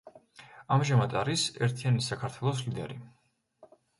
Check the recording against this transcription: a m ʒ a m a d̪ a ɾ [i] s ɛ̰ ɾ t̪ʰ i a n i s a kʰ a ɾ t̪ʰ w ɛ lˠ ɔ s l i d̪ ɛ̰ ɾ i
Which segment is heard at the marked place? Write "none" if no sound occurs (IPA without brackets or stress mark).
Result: i